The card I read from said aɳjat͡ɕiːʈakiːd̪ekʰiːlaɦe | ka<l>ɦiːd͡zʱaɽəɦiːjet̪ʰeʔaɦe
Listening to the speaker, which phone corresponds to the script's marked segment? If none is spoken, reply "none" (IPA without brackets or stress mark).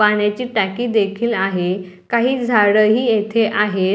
none